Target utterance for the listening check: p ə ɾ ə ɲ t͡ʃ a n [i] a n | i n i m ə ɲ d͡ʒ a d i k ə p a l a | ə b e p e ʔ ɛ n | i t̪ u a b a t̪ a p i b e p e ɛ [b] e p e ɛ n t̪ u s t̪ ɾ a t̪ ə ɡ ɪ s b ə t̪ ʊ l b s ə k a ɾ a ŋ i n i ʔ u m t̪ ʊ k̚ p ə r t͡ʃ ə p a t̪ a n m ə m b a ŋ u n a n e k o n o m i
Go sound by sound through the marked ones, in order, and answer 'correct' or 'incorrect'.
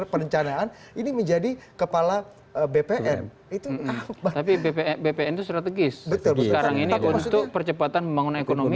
incorrect, correct

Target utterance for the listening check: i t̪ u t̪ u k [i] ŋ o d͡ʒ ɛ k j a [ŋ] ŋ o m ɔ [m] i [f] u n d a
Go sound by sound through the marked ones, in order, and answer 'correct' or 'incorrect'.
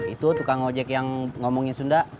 incorrect, correct, incorrect, incorrect

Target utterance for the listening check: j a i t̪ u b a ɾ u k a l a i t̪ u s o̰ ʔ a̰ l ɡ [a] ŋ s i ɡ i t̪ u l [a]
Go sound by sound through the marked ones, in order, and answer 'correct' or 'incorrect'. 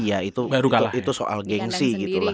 incorrect, correct

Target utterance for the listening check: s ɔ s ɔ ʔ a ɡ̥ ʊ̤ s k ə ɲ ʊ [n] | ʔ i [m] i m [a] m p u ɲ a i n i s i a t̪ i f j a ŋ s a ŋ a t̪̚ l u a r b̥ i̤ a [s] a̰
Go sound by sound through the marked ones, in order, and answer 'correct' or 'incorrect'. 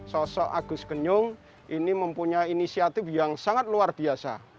incorrect, incorrect, incorrect, correct

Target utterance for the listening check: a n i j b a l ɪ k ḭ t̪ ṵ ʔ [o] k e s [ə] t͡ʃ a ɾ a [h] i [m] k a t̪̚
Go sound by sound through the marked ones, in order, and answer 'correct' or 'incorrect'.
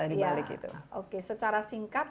correct, correct, incorrect, incorrect

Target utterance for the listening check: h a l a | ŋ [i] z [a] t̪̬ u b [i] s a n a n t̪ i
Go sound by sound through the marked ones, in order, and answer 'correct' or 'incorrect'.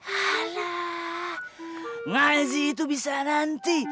incorrect, incorrect, correct

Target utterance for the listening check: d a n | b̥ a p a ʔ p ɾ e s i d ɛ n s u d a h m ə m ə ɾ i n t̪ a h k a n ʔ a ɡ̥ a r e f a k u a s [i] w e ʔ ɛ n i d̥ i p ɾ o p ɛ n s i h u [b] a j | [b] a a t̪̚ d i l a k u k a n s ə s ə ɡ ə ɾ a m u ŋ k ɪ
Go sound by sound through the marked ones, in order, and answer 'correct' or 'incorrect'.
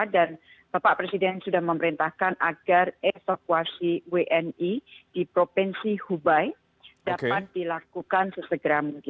correct, correct, incorrect

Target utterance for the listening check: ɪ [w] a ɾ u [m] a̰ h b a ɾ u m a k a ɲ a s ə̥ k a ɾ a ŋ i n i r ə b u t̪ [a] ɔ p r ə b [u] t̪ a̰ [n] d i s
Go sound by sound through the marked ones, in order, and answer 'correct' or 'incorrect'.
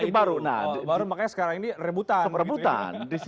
incorrect, incorrect, correct, correct, correct

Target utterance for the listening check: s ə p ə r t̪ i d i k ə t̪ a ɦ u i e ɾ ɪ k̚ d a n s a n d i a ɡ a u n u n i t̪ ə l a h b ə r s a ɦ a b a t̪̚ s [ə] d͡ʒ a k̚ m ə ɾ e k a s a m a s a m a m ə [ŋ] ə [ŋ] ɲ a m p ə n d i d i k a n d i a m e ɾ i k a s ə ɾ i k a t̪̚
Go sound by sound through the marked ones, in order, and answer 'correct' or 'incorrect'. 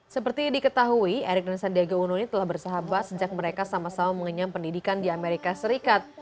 correct, correct, incorrect

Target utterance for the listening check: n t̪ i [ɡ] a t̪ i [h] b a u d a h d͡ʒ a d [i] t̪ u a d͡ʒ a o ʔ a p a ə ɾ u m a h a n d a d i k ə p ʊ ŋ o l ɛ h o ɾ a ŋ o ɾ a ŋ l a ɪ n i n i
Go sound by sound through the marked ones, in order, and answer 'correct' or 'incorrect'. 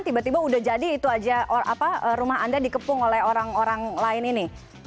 incorrect, incorrect, incorrect

